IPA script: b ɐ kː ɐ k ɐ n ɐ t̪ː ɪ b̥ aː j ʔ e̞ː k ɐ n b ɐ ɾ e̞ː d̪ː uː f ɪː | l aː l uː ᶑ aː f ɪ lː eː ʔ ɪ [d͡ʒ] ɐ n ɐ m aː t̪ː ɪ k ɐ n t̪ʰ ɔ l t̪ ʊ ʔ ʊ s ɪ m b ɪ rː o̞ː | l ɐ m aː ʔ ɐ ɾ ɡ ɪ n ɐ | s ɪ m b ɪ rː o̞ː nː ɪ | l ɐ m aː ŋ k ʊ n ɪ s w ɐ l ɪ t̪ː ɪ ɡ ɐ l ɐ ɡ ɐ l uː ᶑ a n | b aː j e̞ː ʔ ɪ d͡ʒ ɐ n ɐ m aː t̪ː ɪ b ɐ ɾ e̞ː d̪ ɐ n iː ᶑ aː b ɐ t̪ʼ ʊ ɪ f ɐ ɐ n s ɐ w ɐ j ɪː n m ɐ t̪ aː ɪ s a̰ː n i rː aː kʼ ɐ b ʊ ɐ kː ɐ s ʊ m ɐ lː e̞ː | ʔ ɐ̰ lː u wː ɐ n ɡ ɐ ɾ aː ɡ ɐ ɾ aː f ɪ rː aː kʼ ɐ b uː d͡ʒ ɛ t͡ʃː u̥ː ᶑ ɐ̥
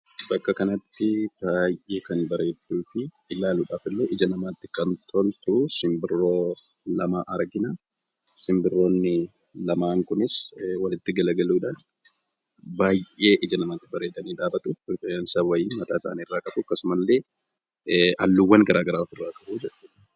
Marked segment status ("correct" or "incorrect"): correct